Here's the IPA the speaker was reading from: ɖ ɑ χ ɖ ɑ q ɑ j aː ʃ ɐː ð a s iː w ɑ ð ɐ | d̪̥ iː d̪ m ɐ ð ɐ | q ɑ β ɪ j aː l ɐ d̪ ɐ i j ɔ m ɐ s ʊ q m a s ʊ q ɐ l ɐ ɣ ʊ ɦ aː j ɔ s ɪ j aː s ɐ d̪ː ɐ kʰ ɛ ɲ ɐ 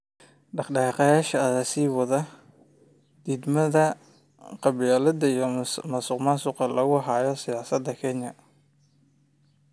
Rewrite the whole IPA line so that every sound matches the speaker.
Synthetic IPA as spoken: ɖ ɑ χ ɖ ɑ q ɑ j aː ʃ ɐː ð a s iː w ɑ ð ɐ | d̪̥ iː d̪ m ɐ ð ɐ | q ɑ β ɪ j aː l ɐ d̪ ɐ i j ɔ m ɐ s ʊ q m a s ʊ q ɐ l ɐ ɣ ʊ ɦ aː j ɔ s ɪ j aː s ɐ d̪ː ɐ kʰ ɛ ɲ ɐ

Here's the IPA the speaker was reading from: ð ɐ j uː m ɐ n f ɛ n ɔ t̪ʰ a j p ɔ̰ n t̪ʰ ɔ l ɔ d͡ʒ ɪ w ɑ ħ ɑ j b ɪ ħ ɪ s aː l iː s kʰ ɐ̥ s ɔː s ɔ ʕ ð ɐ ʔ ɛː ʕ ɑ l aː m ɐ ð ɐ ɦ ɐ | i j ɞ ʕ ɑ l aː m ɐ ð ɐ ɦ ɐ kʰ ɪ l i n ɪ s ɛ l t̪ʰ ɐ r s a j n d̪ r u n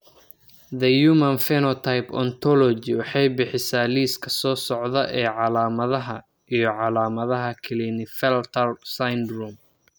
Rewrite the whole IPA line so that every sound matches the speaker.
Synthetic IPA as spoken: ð ɐ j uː m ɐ n f ɛ n ɔ t̪ʰ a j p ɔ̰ n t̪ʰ ɔ l ɔ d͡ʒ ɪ w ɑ ħ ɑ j b ɪ ħ ɪ s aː l iː s kʰ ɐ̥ s ɔː s ɔ ʕ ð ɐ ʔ ɛː ʕ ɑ l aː m ɐ ð ɐ ɦ ɐ | i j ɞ ʕ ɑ l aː m ɐ ð ɐ ɦ ɐ kʰ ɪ l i n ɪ f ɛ l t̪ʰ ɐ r s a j n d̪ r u m

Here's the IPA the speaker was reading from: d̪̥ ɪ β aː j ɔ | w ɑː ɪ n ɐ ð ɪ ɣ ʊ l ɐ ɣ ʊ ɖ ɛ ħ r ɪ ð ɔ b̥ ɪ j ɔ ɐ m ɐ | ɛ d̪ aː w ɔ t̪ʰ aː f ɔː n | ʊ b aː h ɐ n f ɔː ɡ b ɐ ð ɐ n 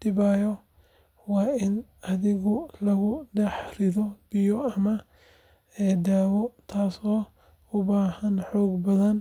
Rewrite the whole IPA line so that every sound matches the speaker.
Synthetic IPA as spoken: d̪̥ ɪ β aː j ɔ | w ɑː ɪ n ɐ ð ɪ ɣ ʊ l ɐ ɣ ʊ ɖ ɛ ħ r ɪ ð ɔ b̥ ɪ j ɔ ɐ m ɐ | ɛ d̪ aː w ɔ t̪ʰ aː s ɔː | ʊ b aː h ɐ n ħ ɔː ɡ b ɐ ð ɐ n

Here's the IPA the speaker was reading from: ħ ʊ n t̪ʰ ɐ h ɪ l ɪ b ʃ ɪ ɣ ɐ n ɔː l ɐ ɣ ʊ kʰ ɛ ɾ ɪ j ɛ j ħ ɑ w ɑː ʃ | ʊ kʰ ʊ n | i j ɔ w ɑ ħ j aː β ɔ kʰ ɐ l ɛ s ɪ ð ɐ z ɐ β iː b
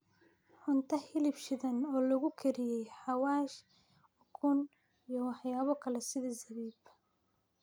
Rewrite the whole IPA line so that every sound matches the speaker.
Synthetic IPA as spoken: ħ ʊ n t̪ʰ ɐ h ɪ l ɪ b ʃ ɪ ð ɐ n ɔː l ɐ ɣ ʊ kʰ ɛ ɾ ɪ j ɛ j ħ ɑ w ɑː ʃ | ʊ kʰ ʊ n | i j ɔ w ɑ ħ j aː β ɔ kʰ ɐ l ɛ s ɪ ð ɐ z ɐ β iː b

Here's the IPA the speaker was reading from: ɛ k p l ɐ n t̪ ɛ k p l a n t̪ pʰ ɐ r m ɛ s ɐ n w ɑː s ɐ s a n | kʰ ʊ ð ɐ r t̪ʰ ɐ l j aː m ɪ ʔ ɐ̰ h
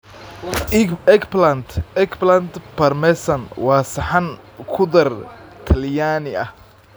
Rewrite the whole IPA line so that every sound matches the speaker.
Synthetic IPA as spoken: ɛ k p l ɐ n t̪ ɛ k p l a n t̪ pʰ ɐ r m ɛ s ɐ n w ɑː s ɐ ħ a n | kʰ ʊ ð ɐ r t̪ʰ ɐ l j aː n ɪ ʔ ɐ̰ h

